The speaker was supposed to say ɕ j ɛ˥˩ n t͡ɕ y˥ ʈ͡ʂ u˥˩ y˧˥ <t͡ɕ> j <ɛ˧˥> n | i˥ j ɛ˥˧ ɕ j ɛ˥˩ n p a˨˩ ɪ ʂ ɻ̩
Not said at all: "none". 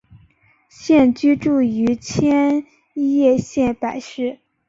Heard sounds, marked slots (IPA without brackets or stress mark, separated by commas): t͡ɕʰ, ɛ˥